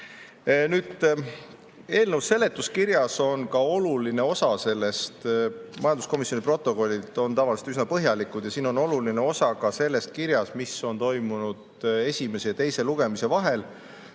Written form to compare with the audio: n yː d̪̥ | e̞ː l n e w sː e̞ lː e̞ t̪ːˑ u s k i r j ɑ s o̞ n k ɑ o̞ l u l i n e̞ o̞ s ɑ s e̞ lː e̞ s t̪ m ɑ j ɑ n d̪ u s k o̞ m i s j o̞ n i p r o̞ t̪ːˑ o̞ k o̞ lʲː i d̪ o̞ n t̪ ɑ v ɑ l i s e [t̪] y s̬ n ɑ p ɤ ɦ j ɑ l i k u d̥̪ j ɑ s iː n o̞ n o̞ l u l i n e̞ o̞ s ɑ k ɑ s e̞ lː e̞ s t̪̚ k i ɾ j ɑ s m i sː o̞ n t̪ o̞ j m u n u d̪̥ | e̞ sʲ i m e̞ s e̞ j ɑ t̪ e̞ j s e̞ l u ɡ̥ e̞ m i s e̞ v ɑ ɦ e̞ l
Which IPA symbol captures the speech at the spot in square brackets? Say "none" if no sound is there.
t̪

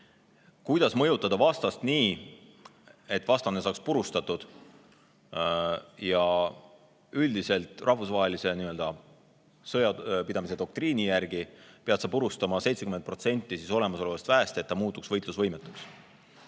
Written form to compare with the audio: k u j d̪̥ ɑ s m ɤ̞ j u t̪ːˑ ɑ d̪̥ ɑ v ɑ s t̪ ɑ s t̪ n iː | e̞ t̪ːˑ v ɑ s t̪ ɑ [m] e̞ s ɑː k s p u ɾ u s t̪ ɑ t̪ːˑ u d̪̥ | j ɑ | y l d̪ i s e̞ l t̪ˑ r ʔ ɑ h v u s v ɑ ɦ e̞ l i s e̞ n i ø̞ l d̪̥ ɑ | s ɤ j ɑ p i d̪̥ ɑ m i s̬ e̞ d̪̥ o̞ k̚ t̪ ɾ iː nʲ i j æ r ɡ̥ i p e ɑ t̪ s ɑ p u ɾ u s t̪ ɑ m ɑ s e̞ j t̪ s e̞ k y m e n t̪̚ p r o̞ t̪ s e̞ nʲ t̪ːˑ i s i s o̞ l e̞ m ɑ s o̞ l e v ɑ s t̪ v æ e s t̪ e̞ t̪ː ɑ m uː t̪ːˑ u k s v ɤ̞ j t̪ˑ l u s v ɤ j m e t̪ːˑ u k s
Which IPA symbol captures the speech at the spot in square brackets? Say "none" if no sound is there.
n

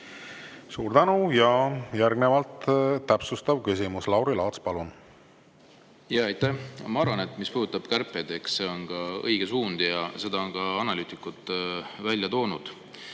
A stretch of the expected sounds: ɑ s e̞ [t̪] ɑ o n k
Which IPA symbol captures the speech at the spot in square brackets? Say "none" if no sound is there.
d̪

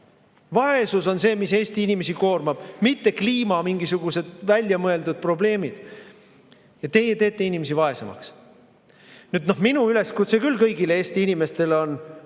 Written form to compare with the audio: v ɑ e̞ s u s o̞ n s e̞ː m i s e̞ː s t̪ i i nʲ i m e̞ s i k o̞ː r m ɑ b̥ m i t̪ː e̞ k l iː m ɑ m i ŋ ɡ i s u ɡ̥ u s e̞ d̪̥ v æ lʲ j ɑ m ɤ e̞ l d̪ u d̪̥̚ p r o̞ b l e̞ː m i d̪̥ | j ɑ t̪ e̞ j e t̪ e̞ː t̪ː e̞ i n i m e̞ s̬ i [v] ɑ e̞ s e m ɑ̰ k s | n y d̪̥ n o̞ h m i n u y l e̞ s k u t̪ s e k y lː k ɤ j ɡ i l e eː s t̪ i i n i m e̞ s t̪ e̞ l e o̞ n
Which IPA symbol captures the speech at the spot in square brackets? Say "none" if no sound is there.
v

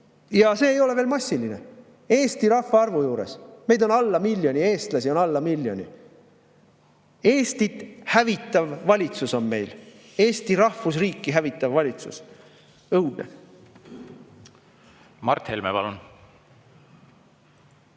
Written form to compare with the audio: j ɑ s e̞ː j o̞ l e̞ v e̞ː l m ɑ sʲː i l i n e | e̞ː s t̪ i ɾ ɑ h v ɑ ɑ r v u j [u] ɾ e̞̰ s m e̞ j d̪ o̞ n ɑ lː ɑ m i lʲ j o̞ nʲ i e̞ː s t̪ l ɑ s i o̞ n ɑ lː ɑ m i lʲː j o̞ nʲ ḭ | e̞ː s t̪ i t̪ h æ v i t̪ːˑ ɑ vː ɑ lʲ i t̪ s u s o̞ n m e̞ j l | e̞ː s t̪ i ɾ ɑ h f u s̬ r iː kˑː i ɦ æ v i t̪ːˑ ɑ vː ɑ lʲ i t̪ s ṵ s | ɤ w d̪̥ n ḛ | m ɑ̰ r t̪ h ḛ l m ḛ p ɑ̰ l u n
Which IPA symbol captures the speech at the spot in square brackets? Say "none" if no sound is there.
uː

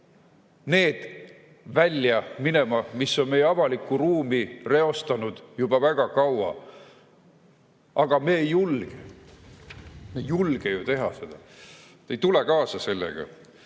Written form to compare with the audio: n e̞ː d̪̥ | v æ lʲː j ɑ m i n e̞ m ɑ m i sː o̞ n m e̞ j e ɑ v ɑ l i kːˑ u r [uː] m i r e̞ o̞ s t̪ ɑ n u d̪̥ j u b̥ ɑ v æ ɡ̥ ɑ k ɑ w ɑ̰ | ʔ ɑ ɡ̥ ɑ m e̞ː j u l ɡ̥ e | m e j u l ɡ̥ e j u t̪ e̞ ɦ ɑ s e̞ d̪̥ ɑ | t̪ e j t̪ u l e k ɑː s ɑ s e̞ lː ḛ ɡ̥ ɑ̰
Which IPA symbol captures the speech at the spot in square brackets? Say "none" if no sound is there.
uː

